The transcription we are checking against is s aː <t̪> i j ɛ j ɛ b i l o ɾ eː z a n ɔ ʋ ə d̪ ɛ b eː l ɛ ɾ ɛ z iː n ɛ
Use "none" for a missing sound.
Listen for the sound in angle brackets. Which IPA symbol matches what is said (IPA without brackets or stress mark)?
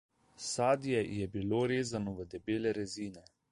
d̪